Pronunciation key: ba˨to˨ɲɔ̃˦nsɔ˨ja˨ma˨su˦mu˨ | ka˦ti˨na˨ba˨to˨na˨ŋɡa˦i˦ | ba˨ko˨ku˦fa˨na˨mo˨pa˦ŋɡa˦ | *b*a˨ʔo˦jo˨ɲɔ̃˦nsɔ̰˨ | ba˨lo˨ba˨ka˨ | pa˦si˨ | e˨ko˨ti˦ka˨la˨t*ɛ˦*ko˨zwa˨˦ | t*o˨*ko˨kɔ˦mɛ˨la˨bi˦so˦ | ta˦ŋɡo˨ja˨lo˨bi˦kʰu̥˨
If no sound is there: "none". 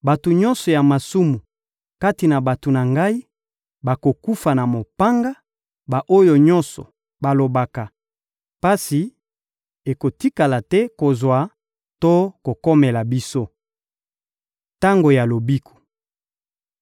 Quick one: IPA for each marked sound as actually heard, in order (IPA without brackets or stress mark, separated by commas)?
b, ɛ˦, o˦